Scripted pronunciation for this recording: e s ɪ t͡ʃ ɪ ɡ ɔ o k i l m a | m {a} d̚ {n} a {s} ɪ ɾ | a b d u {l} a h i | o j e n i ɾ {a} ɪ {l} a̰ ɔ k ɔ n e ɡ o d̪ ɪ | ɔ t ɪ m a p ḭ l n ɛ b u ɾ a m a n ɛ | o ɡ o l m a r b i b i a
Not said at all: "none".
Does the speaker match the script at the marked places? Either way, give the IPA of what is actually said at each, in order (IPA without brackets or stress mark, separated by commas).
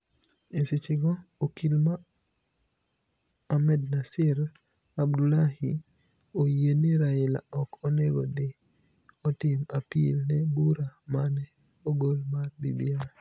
ɛ, n, s, l, a, l